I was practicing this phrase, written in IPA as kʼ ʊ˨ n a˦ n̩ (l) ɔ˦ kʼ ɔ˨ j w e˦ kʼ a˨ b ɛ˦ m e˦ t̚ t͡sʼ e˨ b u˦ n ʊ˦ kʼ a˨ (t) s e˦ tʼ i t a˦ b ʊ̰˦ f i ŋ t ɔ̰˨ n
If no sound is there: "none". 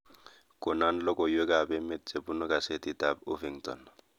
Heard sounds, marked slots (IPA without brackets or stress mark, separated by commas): l, none